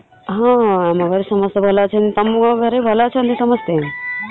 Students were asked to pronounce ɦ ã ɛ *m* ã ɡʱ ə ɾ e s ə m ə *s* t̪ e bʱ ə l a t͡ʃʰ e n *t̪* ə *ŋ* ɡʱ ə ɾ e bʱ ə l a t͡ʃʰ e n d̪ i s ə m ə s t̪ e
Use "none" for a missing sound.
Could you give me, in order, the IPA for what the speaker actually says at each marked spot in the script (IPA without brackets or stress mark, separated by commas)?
m, s, t̪, m